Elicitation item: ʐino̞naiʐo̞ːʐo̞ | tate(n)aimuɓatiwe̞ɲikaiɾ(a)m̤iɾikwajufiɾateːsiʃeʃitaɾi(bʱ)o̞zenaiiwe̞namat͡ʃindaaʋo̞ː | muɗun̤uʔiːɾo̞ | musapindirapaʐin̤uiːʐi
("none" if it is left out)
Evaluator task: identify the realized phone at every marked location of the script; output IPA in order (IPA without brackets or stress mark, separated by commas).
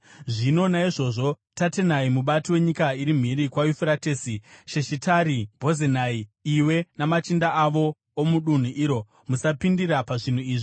n, i, bʱ